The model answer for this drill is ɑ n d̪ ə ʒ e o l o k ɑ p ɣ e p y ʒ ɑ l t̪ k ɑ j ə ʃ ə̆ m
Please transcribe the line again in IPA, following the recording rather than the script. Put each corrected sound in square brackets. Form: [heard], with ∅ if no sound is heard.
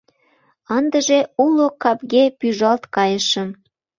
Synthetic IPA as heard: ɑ n d̪ ə ʒ e [u] l o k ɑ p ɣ e p y ʒ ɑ l t̪ k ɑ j ə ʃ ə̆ m